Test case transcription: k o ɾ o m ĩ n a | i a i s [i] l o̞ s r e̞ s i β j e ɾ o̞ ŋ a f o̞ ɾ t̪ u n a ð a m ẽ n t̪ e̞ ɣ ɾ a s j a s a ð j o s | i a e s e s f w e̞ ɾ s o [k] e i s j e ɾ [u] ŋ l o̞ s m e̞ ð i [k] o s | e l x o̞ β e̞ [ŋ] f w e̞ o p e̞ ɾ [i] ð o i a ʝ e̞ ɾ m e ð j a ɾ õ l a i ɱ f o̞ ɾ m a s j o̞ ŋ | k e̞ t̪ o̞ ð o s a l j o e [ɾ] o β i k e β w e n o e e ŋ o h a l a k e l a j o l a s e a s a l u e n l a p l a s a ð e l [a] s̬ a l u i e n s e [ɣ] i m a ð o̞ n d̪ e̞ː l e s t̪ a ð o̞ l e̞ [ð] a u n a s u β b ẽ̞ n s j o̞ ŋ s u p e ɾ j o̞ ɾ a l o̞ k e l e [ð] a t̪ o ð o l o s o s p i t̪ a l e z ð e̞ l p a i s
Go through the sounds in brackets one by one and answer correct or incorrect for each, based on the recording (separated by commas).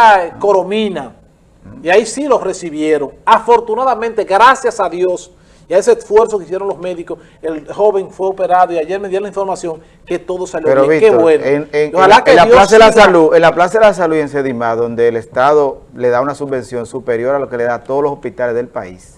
correct, correct, incorrect, correct, correct, incorrect, correct, correct, incorrect, correct, correct